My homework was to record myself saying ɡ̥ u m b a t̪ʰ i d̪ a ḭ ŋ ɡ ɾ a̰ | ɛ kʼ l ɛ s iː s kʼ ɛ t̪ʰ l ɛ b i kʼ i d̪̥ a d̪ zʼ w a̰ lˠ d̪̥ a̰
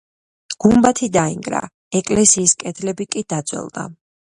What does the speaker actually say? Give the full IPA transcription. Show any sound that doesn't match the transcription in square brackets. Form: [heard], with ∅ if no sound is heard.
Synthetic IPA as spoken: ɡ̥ u m b a t̪ʰ i d̪ a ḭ ŋ ɡ ɾ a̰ | ɛ kʼ l ɛ s iː s kʼ ɛ t̪ʰ l ɛ b i kʼ i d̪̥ a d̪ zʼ w [ɛ̰] lˠ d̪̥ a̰